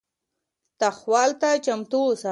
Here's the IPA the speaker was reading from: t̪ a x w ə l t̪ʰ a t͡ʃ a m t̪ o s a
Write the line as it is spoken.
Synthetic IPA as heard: t̪ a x w ɑ l t̪ a t͡ʃ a m t̪ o s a